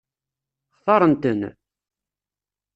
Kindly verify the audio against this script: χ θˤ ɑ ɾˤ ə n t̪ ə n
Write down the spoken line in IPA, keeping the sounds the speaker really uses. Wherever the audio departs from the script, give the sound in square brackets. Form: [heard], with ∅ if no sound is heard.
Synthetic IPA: χ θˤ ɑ ɾˤ ə n t̪ ə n